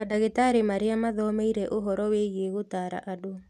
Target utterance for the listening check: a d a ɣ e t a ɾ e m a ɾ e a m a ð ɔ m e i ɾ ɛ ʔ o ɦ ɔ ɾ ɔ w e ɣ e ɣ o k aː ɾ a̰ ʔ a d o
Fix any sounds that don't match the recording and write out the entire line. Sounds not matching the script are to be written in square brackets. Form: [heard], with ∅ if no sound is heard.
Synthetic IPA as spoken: a d a ɣ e t a ɾ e m a ɾ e a m a ð ɔ m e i ɾ ɛ ʔ o ɦ ɔ ɾ ɔ w e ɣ e ɣ o [t] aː ɾ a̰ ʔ a d o